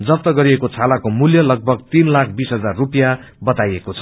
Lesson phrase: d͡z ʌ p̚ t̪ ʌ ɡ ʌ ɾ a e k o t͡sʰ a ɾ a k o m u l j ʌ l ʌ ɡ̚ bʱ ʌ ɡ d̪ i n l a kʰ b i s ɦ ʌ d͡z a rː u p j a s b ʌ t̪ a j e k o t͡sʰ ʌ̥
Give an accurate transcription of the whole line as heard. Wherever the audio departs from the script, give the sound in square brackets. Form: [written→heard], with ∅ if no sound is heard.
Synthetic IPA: d͡z ʌ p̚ t̪ ʌ ɡ ʌ ɾ [a→i] e k o t͡sʰ a [ɾ→l] a k o m u l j ʌ l ʌ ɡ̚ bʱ ʌ ɡ [d̪→t̪] i n l a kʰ b i s ɦ ʌ d͡z a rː u p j a [s→∅] b ʌ t̪ a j e k o t͡sʰ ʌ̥